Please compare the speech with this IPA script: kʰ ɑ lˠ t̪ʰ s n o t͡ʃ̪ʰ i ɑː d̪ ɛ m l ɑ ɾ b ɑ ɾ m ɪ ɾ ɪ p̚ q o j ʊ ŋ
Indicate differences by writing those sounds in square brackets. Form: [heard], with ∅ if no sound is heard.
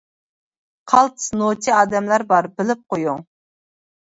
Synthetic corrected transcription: [qʰ] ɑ lˠ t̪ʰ s n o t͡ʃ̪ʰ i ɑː d̪ ɛ m l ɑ ɾ b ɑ ɾ [b] ɪ [l] ɪ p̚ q o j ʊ ŋ

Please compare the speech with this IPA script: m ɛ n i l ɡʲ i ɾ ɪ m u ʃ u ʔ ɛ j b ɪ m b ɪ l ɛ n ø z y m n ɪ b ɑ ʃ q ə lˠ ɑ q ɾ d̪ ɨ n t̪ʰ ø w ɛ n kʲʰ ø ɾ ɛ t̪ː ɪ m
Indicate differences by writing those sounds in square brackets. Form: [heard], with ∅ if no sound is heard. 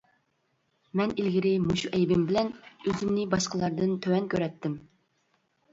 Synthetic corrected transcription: m ɛ n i l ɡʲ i ɾ ɪ m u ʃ u ʔ ɛ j b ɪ m b ɪ l ɛ n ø z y m n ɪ b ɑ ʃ q ə lˠ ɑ [∅] ɾ d̪ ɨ n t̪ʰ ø w ɛ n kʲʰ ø ɾ ɛ t̪ː ɪ m

